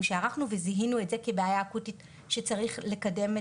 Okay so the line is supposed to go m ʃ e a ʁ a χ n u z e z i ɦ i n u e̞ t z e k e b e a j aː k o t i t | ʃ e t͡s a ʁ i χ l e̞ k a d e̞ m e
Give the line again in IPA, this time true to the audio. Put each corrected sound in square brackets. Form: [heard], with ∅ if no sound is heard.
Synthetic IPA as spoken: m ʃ e a ʁ a χ n u [v] e z i ɦ i n u e̞ t z e k e b e a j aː k [u] t i t | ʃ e t͡s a ʁ i χ l e̞ k a d e̞ m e

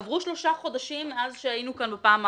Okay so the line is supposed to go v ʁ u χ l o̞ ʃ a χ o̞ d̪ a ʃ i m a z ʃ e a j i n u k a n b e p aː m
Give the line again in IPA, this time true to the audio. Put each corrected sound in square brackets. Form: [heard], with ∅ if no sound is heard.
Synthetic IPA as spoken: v ʁ u [ʃ] l o̞ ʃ a χ o̞ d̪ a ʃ i m a z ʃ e a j i n u k a n b e p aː m

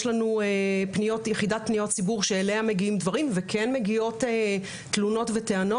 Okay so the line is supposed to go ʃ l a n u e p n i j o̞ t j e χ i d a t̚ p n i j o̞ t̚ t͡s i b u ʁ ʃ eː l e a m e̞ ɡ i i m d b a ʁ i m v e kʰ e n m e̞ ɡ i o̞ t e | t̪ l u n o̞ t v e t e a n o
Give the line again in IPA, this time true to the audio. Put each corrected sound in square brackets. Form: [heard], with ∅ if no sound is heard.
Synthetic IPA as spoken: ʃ l a n u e p n i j o̞ t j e χ i d a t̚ p n i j o̞ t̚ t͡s i b u ʁ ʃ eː l e a m e̞ ɡ i i m d [v] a ʁ i m v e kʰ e n m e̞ ɡ i o̞ t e | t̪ l u n o̞ t v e t e a n o

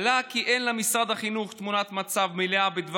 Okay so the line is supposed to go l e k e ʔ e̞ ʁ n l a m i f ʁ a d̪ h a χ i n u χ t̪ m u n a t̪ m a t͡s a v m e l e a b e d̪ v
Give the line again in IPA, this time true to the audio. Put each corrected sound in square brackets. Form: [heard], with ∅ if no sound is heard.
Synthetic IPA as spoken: l [a] k [i] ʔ e̞ [∅] n l a m i [s] ʁ a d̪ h a χ i n u χ t̪ m u n a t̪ m a t͡s a v m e l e a b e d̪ v

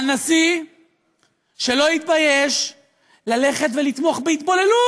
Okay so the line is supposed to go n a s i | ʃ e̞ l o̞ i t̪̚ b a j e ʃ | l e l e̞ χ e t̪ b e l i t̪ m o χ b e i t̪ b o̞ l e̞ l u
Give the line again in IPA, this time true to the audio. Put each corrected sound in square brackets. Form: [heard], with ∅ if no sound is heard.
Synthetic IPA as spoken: n a s i | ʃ e̞ l o̞ i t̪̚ b a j e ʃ | l [a] l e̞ χ e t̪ [v] e l i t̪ m o χ b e i t̪ b o̞ l e̞ l u

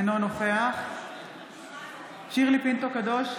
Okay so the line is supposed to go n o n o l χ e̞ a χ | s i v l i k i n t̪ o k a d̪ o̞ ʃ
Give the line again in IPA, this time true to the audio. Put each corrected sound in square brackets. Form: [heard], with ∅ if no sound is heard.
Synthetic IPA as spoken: n o n o [∅] χ e̞ a χ | [ʃ] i [ʁ] l i [p] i n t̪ o k a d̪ o̞ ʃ

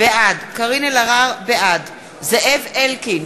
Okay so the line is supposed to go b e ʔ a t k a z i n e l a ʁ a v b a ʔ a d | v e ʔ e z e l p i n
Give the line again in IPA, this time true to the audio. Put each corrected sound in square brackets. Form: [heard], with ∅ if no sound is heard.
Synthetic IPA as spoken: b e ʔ a [d] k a [ʁ] i n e l a ʁ a [ʁ] b [e] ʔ a d | [z] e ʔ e [v] e l [k] i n

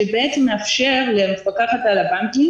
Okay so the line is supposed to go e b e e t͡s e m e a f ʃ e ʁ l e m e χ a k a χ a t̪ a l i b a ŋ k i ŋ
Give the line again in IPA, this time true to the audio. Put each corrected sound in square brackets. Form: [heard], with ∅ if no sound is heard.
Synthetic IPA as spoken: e b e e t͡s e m e a f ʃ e ʁ l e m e [f] a k a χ a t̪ a l [a] b a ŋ k i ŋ

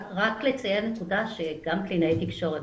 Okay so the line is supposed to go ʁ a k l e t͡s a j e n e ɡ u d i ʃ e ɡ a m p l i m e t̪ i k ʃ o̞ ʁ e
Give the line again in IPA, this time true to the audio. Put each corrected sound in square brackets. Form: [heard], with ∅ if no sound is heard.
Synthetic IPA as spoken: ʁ a k l e t͡s a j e n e [k] u d [a] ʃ e ɡ a m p l i [n] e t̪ i k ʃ o̞ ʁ e

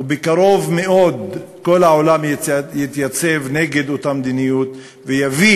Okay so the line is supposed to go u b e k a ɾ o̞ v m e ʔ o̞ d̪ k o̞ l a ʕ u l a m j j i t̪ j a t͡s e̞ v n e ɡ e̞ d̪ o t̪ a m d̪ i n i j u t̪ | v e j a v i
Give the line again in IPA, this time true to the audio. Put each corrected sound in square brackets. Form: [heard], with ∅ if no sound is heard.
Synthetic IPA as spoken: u b e k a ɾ o̞ v m e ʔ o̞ d̪ k o̞ l a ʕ [o] l a m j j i t̪ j a t͡s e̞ v n e ɡ e̞ d̪ o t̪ a m d̪ i n i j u t̪ | v e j a v i

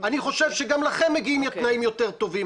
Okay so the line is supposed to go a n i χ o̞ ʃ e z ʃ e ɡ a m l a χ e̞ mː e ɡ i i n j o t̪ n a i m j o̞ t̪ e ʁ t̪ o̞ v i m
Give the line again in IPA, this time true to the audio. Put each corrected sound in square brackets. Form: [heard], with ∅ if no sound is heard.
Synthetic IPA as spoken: a n i χ o̞ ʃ e [v] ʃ e ɡ a m l a χ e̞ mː e ɡ i i [m] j o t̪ n a i m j o̞ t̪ e ʁ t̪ o̞ v i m

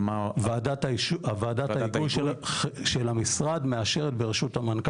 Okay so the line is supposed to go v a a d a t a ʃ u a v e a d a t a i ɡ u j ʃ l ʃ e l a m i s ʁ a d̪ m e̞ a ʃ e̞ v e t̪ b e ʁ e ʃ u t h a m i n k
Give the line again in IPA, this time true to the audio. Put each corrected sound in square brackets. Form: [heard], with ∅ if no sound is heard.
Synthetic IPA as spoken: v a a d a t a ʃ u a v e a d a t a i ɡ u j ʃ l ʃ e l a m i s ʁ a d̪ m e̞ a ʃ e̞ [ʁ] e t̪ b e ʁ e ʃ u t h a m [a] n k

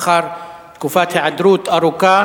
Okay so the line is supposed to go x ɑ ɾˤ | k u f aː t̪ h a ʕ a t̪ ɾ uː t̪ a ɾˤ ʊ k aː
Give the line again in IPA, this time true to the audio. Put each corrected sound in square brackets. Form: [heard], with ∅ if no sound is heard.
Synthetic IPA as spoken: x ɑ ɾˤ | k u f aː t̪ h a ʕ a [d̪] ɾ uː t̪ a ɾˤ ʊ k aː

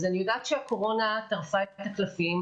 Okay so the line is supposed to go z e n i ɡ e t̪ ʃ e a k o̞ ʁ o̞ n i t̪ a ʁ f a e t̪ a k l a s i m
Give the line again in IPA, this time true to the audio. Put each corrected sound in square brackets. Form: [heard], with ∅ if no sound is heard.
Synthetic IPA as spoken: z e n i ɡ [a] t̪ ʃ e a k o̞ ʁ o̞ n [a] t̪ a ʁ f a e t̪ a k l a [f] i m

